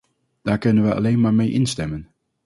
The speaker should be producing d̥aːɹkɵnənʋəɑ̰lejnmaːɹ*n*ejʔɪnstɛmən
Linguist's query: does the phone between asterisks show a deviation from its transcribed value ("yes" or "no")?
yes